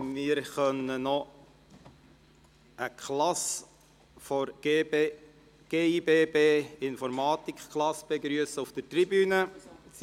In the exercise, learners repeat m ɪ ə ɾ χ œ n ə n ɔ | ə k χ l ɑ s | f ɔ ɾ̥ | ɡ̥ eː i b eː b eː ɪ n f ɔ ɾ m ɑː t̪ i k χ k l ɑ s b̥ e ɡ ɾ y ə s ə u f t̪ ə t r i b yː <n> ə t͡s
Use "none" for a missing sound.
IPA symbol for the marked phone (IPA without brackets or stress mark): n